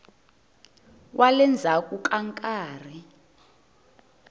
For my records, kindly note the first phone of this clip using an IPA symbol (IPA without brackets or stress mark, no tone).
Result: w